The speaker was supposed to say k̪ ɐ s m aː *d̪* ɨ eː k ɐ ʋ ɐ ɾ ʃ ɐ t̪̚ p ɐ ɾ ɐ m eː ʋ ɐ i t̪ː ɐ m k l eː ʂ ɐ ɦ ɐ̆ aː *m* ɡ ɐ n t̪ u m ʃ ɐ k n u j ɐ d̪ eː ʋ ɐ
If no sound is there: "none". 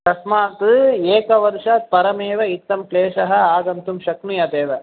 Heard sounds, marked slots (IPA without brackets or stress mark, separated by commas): t̪, none